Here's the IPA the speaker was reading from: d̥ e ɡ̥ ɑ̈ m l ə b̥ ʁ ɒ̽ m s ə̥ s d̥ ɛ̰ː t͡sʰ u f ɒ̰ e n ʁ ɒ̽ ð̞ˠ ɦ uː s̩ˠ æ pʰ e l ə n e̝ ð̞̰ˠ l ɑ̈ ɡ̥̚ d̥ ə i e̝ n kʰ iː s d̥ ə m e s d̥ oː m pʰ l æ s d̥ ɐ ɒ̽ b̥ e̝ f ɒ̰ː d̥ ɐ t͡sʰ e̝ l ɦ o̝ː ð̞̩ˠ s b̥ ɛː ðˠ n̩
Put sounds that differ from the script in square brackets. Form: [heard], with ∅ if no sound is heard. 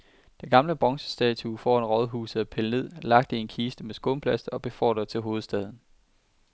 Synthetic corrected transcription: d̥ e ɡ̥ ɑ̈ m l ə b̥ ʁ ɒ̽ [ŋ] s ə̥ s d̥ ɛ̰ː t͡sʰ u f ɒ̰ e n ʁ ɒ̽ ð̞ˠ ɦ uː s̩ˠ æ pʰ e l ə n e̝ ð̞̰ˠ l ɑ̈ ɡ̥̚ d̥ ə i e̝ n kʰ iː s d̥ ə m e s [ɡ̥] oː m pʰ l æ s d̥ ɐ ɒ̽ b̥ e̝ f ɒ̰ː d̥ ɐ t͡sʰ e̝ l ɦ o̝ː ð̞̩ˠ s [d̥] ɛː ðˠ n̩